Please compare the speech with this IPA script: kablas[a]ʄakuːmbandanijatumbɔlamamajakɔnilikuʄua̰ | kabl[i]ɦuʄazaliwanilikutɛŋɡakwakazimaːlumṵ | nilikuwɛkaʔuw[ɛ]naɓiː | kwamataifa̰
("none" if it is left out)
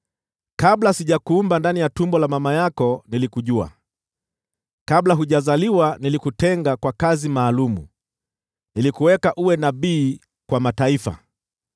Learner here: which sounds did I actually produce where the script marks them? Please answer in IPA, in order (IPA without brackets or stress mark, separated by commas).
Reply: i, a, ɛ